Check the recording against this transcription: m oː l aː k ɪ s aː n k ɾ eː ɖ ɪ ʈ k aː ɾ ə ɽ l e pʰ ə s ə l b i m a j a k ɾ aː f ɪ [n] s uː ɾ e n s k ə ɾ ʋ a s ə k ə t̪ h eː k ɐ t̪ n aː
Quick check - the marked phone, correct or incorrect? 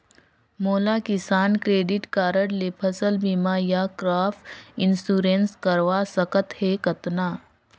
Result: correct